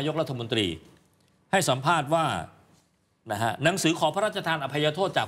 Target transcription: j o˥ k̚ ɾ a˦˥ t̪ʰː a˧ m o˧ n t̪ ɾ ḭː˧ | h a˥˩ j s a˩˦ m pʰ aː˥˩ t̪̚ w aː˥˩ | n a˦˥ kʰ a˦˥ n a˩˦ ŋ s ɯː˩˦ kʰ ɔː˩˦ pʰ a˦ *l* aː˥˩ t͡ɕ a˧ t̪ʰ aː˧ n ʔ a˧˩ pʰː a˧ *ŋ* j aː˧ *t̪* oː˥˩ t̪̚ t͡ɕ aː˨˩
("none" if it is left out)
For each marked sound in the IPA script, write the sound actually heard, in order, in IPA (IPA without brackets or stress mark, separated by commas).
ɾ, none, t̪ʰ